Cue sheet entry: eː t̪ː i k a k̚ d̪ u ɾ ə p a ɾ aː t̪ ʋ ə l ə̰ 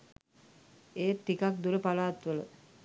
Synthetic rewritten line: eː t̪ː i k a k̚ d̪ u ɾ ə p a l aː t̪ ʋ ə l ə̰

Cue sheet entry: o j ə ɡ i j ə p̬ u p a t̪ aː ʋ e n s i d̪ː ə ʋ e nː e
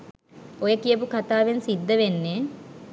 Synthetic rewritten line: o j ə k i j ə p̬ u k a t̪ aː ʋ e n s i d̪ː ə ʋ e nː e

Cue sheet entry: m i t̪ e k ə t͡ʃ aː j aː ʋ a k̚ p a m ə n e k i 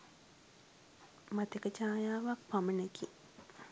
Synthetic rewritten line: m a t̪ e k ə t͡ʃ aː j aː ʋ a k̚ p a m ə n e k i

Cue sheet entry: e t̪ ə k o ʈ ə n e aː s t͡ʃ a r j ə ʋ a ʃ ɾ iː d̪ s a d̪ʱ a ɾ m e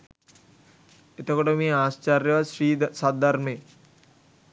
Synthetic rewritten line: e t̪ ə k o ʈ ə m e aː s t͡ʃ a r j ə ʋ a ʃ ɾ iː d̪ s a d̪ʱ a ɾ m e

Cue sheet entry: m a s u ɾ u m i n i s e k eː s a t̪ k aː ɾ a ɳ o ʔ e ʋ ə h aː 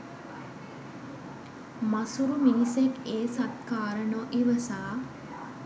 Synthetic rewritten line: m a s u ɾ u m i n i s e k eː s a t̪ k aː ɾ ə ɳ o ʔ i ʋ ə s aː

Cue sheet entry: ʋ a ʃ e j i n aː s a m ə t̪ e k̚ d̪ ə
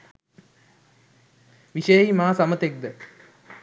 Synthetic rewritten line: ʋ i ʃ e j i m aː s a m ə t̪ e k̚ d̪ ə

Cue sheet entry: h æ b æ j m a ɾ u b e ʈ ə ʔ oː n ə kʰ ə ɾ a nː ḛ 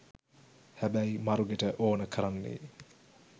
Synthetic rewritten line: h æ b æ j m a ɾ u ɡ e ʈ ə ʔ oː n ə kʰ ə ɾ a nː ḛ

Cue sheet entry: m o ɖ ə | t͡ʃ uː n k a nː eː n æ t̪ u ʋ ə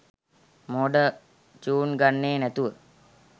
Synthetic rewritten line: m o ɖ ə | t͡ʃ uː n ɡ a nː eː n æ t̪ u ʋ ə

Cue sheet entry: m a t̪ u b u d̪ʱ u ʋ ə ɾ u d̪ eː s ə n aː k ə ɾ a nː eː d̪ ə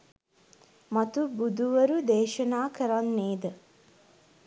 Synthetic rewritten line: m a t̪ u b u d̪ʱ u ʋ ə ɾ u d̪ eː ʃ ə n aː k ə ɾ a nː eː d̪ ə

